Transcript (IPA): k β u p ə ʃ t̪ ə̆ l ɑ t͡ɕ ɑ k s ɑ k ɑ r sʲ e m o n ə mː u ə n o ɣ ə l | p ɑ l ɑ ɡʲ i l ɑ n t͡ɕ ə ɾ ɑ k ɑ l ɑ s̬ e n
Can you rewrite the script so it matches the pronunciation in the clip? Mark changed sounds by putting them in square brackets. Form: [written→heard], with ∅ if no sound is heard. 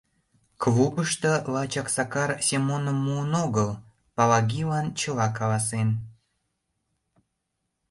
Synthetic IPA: k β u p ə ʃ t̪ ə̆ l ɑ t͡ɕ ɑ k s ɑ k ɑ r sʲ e m o n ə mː u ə n o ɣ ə l | p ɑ l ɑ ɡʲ i l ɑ n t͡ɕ ə [ɾ→l] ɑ k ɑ l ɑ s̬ e n